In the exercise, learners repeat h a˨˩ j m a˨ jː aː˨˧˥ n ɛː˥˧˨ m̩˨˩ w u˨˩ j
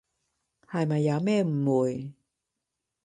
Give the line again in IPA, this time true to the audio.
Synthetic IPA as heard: h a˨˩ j m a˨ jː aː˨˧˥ m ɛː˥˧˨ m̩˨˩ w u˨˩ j